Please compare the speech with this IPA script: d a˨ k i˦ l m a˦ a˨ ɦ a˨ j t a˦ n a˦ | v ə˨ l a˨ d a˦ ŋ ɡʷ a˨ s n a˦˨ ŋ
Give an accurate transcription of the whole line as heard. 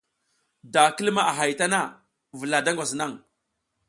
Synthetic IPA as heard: d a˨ k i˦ l m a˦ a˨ ɦ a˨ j t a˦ n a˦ | v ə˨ l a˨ d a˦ ŋ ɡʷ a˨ s n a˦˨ ŋ